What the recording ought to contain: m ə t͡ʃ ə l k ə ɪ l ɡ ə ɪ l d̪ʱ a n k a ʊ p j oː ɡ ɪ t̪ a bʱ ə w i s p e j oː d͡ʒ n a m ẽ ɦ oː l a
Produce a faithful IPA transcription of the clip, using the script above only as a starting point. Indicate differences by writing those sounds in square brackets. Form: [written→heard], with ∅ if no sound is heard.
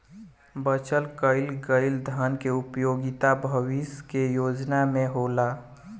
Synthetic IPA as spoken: [m→b] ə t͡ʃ ə l k ə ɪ l ɡ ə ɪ l d̪ʱ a n k [a→e] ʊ p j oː ɡ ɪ t̪ a bʱ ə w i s [p→k] e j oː d͡ʒ n a m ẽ ɦ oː l a